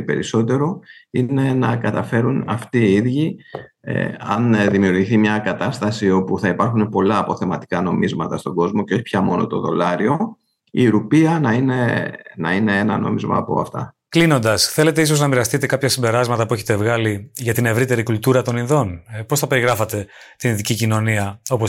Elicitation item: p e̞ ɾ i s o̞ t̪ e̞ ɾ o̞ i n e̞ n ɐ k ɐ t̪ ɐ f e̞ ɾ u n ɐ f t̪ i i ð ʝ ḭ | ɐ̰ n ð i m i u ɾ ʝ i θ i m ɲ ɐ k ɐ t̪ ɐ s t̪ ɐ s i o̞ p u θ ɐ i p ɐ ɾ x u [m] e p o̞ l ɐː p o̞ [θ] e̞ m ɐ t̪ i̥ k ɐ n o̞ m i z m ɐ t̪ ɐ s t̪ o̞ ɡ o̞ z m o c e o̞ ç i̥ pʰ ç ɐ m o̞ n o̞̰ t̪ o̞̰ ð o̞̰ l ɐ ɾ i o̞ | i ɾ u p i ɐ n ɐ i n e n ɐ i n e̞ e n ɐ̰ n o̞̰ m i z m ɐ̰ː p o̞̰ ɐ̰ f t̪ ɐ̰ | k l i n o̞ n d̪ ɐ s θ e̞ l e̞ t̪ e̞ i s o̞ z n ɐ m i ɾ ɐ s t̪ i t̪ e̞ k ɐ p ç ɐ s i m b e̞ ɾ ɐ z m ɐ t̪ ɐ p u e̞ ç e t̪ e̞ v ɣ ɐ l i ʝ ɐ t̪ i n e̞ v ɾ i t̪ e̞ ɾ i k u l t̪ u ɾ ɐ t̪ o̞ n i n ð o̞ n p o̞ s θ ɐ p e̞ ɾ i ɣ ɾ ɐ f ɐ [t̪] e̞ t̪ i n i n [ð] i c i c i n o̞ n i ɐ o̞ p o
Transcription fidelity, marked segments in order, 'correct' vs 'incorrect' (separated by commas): incorrect, correct, correct, correct